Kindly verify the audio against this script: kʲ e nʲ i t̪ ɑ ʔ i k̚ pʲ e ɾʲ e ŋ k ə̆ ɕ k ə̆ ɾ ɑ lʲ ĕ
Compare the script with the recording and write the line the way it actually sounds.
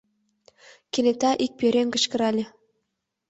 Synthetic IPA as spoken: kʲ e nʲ e t̪ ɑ ʔ i k̚ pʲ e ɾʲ e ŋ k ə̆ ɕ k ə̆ ɾ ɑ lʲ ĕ

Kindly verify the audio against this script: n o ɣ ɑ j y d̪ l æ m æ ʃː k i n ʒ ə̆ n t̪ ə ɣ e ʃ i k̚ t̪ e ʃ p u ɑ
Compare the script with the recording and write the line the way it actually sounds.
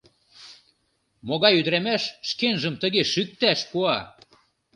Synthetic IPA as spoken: m o ɣ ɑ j y d̪ ɾ æ m æ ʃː k e n ʒ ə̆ m t̪ ə ɣ e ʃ y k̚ t̪ æ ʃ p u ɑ

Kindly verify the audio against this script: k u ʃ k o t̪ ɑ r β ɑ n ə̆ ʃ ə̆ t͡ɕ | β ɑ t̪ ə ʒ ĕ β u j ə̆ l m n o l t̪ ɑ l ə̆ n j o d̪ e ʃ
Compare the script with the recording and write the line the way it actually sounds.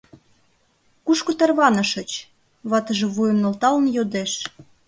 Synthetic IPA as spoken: k u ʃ k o t̪ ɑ r β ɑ n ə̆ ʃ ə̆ t͡ɕ | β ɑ t̪ ə ʒ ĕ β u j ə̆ m n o l t̪ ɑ l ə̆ n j o d̪ e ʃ

